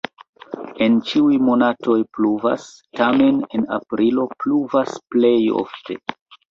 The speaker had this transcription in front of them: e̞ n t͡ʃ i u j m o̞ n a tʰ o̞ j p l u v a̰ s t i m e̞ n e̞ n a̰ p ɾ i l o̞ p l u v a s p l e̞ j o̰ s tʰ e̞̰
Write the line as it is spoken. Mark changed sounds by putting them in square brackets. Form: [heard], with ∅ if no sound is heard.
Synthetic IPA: e̞ n t͡ʃ i u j m o̞ n a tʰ o̞ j p l u v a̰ s t [a] m e̞ n e̞ n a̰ p ɾ i l o̞ p l u v a s p l e̞ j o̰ [f] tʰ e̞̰